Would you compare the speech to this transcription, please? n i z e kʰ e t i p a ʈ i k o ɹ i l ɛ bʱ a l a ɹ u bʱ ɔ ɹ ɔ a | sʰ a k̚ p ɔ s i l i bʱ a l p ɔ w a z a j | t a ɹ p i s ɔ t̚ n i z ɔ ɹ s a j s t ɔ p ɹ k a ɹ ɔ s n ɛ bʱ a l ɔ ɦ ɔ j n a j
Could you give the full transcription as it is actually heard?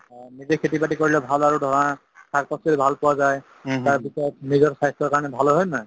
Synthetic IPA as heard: n i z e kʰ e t i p a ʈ i k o ɹ i l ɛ bʱ a l a ɹ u dʱ ɔ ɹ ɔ a | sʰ a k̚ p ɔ s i l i bʱ a l p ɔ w a z a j | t a ɹ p i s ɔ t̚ n i z ɔ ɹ s a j s t ɔ ɹ k a ɹ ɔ n ɛ bʱ a l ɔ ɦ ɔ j n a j